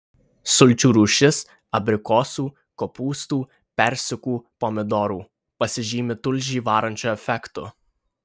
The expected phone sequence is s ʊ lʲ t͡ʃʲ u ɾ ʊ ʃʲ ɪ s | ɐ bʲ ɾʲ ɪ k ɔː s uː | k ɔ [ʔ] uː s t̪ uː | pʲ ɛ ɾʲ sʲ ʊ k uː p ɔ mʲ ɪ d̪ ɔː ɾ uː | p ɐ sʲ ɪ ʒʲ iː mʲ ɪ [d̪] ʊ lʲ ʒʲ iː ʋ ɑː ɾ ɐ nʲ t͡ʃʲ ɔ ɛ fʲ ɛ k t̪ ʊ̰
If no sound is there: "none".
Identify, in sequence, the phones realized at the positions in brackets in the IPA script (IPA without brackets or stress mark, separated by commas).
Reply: p, t̪